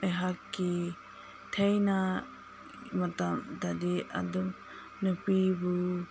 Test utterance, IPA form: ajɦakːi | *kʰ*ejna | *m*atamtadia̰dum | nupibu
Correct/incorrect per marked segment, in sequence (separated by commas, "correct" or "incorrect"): incorrect, correct